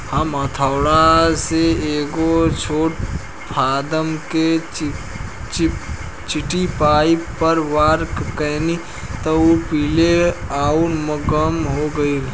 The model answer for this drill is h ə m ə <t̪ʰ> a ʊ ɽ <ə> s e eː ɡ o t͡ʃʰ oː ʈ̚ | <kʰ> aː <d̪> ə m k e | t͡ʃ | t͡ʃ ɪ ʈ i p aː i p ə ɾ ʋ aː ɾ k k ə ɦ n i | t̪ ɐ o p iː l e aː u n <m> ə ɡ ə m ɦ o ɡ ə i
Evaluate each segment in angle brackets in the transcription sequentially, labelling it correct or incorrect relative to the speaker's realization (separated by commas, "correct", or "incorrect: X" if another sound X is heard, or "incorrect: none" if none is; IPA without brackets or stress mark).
correct, incorrect: a, incorrect: pʰ, correct, correct